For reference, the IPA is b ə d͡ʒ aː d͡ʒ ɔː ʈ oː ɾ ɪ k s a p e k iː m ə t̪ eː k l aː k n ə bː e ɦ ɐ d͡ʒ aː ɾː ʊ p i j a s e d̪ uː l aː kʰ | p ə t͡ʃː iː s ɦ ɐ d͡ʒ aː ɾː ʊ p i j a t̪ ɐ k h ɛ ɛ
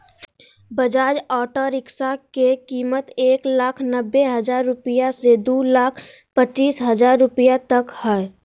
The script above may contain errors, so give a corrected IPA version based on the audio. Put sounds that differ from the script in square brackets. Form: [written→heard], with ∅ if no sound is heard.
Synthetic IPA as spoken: b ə d͡ʒ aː d͡ʒ ɔː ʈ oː ɾ ɪ k s a [p→k] e k iː m ə t̪ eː k l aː [k→kʰ] n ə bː e ɦ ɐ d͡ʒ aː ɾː ʊ p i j a s e d̪ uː l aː kʰ | p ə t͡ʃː iː s ɦ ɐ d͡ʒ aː ɾː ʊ p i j a t̪ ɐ k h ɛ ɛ